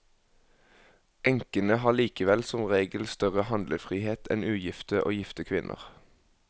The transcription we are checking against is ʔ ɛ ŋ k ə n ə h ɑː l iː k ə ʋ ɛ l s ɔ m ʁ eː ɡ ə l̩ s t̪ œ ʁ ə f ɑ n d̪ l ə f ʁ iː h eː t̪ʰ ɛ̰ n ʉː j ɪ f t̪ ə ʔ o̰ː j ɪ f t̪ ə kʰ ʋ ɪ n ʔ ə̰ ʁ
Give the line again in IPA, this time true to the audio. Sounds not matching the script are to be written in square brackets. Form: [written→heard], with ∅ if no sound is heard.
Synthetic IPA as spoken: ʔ ɛ ŋ k ə n ə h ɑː l iː k ə ʋ ɛ l s ɔ m ʁ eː ɡ ə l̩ s t̪ œ ʁ ə [f→h] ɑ n d̪ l ə f ʁ iː h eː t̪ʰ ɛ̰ n ʉː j ɪ f t̪ ə ʔ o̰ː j ɪ f t̪ ə kʰ ʋ ɪ n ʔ ə̰ ʁ